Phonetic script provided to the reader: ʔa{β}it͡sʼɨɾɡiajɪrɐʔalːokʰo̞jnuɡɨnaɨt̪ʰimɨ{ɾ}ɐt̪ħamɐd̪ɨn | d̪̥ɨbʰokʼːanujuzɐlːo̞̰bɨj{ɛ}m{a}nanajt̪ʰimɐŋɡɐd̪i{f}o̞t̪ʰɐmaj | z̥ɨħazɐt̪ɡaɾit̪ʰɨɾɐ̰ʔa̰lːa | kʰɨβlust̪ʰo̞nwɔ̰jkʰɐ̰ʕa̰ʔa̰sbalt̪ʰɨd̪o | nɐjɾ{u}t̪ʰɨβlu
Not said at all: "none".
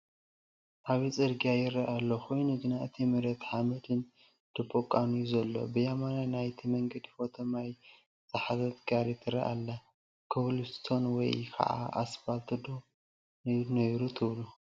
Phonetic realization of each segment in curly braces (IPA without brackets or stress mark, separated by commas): β, ɾ, a, a, f, u